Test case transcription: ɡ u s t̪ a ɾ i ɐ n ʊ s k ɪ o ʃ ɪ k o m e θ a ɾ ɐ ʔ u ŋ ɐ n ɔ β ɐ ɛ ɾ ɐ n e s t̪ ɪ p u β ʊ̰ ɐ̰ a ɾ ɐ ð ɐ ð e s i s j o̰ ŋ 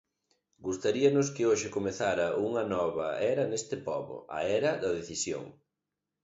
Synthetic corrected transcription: ɡ u s t̪ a ɾ i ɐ n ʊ s k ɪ o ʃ ɪ k o m e θ a ɾ ɐ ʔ u ŋ ɐ n ɔ β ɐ ɛ ɾ ɐ n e s t̪ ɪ p ɔ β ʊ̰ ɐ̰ ɛ ɾ ɐ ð ɐ ð e θ i s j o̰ ŋ